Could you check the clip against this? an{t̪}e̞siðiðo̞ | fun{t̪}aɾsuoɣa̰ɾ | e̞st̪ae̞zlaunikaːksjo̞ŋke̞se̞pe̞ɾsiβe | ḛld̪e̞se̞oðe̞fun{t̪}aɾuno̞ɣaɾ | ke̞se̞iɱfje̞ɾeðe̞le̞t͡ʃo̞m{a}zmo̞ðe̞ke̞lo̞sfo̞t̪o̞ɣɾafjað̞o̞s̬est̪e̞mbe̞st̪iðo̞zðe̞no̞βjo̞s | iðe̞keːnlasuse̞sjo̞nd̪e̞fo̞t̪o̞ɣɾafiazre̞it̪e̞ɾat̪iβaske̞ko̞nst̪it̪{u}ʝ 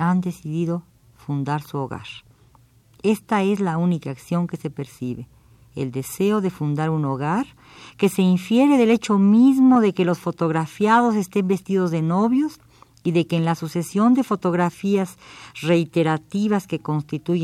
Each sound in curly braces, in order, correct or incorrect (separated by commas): incorrect, incorrect, incorrect, incorrect, correct